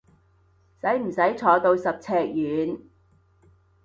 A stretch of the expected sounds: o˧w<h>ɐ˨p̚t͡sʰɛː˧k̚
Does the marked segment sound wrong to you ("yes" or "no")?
yes